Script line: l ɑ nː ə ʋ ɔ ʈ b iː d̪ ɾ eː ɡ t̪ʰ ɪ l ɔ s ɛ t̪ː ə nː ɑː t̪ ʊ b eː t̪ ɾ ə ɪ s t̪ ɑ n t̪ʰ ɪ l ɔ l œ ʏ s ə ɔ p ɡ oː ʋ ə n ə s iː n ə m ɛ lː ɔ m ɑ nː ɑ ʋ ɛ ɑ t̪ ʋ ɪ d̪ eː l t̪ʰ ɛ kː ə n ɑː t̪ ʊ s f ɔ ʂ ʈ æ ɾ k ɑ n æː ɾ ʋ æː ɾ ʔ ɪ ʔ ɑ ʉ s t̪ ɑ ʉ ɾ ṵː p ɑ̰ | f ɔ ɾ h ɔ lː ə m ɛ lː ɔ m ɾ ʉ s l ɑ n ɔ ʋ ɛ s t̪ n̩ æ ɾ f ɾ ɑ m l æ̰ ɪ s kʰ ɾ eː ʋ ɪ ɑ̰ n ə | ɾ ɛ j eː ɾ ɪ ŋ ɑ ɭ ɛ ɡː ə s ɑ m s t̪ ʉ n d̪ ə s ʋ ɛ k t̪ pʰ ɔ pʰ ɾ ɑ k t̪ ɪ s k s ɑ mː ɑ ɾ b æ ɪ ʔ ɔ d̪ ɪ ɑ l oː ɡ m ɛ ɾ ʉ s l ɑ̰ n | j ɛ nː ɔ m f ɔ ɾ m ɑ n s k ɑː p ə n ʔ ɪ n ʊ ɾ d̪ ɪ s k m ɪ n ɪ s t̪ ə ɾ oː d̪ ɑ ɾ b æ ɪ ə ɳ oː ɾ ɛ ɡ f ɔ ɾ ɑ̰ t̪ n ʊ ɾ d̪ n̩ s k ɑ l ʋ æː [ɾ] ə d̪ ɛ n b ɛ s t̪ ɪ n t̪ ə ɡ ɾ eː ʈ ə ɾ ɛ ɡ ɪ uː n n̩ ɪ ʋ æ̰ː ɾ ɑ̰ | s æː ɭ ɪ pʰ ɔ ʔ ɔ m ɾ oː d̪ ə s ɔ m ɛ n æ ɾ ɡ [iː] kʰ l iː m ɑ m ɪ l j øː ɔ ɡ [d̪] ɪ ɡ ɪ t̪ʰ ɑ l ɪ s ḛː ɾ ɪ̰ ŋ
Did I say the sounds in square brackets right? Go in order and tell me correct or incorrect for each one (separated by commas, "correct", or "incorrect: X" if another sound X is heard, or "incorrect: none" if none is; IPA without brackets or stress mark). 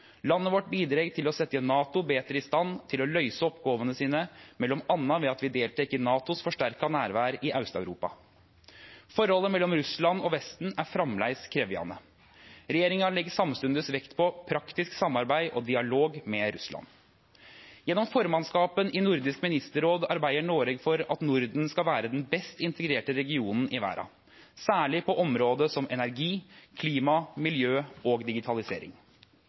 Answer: correct, correct, correct